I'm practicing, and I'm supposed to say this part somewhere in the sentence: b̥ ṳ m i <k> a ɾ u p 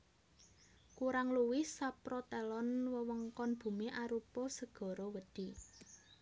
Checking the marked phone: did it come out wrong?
yes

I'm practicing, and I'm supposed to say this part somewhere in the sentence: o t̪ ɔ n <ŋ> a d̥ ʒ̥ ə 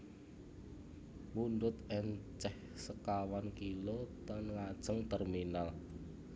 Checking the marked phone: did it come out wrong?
no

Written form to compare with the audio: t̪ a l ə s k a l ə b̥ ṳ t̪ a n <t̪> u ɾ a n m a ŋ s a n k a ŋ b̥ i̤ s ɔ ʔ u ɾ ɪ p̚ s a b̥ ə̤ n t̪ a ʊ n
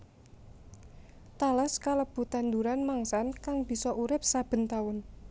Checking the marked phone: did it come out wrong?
yes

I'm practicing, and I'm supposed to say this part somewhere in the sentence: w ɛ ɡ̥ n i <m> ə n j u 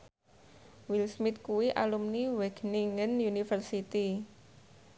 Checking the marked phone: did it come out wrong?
yes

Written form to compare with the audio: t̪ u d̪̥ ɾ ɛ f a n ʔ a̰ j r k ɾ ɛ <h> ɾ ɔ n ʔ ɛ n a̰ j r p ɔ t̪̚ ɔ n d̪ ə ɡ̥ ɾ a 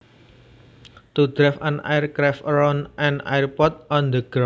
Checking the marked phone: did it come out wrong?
yes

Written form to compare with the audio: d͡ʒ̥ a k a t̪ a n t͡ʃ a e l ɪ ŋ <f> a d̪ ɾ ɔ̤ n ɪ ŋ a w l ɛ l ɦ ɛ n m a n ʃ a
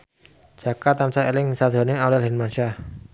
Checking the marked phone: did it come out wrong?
yes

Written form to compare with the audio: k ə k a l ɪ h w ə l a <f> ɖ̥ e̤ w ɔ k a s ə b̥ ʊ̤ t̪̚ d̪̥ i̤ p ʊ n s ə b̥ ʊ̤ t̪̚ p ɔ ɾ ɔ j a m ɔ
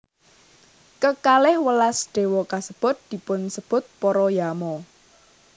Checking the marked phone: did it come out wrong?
yes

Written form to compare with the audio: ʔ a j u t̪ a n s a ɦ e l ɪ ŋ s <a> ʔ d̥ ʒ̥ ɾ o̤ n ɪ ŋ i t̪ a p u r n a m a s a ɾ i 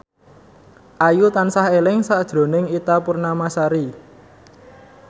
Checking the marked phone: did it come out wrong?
no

